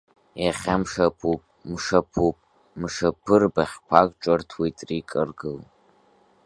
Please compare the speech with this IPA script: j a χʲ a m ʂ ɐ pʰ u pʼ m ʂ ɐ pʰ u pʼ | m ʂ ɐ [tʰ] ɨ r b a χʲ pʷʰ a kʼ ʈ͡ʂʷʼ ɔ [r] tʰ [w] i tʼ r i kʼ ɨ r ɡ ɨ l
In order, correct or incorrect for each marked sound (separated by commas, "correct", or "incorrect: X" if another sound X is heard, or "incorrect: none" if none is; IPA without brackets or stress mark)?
incorrect: pʰ, correct, correct